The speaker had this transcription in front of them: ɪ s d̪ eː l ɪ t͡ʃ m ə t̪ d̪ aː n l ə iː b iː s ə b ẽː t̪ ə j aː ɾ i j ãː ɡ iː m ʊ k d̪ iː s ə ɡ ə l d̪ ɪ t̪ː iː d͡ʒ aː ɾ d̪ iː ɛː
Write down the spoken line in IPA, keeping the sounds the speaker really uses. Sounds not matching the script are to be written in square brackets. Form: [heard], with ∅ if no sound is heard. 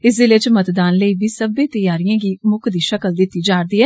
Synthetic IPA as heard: ɪ s d̪ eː l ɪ t͡ʃ m ə t̪ d̪ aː n l ə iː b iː s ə b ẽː t̪ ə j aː ɾ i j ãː ɡ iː m ʊ k d̪ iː [ʃ] ə [k] ə l d̪ ɪ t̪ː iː d͡ʒ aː ɾ d̪ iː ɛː